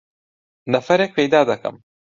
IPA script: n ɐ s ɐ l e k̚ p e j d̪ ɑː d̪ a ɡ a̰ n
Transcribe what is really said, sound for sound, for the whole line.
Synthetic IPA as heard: n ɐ f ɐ ɾ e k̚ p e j d̪ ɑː d̪ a k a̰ m